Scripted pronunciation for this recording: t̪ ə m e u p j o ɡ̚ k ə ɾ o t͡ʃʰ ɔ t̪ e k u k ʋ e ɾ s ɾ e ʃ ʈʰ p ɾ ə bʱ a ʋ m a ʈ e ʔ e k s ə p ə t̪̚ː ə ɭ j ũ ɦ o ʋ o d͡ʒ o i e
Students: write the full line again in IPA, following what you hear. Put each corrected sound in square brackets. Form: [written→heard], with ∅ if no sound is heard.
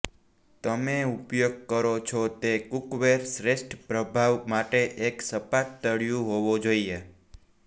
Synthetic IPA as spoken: t̪ ə m e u p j o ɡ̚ k ə ɾ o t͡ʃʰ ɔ t̪ e k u k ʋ e ɾ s ɾ e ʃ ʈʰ p ɾ ə bʱ a ʋ m a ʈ e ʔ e k s ə p [ə→a] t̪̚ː ə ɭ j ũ ɦ o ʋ o d͡ʒ o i e